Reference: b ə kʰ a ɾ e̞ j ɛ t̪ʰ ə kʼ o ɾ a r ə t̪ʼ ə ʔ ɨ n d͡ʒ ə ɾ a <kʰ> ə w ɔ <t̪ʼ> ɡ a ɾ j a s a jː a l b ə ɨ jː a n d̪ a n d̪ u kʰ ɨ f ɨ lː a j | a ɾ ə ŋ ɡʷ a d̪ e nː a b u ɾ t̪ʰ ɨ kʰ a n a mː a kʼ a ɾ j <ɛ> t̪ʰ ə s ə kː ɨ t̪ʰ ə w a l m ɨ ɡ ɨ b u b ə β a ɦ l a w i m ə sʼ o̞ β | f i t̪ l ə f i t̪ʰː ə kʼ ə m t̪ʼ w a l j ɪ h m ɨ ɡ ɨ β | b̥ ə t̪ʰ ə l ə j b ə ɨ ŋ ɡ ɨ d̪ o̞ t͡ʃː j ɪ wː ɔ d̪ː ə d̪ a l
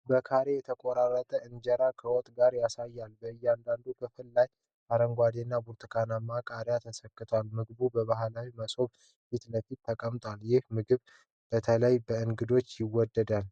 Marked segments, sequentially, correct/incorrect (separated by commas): correct, correct, incorrect